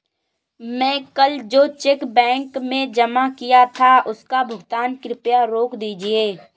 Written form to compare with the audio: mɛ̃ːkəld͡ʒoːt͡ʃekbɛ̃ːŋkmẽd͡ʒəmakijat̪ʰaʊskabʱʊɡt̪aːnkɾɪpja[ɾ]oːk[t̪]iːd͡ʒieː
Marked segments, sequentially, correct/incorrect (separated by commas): correct, incorrect